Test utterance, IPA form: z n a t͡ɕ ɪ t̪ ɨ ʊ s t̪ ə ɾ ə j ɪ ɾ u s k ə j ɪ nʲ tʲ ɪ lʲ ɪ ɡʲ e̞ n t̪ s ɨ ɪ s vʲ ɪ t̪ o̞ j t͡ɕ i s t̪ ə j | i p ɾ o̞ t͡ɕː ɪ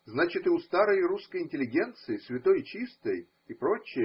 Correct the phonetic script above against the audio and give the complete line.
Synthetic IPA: z n a t͡ɕ ɪ t̪ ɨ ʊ s t̪ a ɾ ə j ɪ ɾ u s k ə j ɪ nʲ tʲ ɪ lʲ ɪ ɡʲ e̞ n t̪ s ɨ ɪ s vʲ ɪ t̪ o̞ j t͡ɕ i s t̪ ə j | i p ɾ o̞ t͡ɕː ɪ